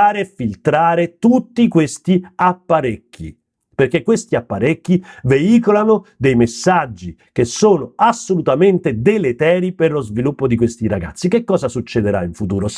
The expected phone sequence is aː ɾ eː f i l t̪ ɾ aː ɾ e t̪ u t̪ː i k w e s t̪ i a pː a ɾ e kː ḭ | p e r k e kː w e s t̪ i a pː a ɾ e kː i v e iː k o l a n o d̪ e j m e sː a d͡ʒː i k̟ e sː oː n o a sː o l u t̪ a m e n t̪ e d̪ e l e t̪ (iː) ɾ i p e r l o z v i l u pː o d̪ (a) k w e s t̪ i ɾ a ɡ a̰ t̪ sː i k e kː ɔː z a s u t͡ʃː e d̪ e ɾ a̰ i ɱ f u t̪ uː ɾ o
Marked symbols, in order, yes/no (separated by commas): no, no